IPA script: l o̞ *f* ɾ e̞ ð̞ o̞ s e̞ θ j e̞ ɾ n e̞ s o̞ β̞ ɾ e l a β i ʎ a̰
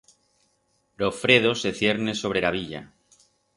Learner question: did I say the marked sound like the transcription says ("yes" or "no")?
yes